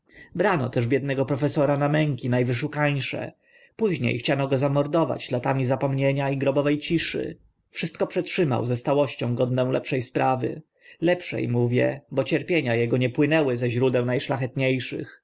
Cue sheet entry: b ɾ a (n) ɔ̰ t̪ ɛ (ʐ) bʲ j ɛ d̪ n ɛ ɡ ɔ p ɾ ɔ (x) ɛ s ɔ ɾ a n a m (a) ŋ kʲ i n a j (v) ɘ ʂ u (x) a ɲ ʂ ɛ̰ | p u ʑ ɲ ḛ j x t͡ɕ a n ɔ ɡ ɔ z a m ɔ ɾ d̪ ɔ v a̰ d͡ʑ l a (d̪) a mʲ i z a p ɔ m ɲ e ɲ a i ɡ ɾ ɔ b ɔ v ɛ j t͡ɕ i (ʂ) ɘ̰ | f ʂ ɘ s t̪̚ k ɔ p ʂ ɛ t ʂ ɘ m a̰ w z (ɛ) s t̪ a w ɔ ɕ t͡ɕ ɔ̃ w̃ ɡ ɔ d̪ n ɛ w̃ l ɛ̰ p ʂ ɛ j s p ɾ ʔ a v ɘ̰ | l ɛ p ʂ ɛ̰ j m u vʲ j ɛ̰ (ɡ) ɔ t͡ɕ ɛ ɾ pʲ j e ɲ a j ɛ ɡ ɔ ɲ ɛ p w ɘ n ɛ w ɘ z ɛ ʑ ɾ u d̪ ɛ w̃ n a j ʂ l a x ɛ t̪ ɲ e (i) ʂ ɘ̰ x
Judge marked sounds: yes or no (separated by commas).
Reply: yes, yes, no, no, yes, no, no, yes, yes, no, no